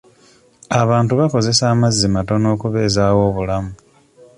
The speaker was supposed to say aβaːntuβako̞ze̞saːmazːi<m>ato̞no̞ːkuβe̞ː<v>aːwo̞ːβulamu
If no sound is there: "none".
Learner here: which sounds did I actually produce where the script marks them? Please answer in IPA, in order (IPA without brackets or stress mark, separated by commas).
m, z